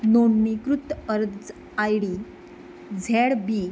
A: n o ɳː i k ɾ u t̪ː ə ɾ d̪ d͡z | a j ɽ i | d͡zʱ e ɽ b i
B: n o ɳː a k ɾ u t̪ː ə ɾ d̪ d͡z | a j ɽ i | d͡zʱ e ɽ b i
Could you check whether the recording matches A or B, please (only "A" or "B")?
A